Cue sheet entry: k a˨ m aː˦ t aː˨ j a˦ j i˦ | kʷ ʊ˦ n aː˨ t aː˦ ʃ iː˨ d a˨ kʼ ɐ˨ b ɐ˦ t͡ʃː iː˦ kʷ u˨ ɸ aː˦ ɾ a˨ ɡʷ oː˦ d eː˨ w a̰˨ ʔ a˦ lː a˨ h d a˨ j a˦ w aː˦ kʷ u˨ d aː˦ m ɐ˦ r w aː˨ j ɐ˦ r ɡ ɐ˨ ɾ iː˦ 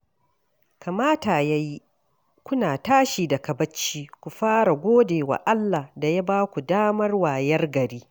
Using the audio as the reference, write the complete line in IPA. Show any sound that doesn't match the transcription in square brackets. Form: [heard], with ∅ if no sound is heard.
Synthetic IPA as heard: k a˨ m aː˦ t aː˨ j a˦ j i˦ | kʷ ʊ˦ n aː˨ t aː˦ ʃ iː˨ d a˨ [k] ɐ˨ b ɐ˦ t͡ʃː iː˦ kʷ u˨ ɸ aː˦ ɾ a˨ ɡʷ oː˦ d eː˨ w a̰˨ ʔ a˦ lː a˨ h d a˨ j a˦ [b] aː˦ kʷ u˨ d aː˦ m ɐ˦ r w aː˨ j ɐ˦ r ɡ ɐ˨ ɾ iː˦